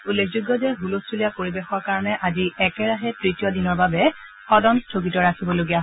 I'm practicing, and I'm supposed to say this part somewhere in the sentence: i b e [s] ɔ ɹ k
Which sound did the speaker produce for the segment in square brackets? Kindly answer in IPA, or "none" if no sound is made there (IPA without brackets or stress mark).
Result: x